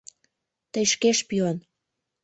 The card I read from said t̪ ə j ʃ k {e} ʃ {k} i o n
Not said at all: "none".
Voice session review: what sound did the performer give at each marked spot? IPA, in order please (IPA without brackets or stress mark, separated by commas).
e, p